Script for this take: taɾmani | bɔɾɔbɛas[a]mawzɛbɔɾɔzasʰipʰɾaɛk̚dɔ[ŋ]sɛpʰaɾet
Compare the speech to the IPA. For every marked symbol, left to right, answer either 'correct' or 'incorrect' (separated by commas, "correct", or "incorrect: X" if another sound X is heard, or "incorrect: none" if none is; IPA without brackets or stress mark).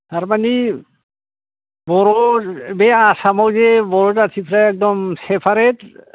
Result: correct, incorrect: m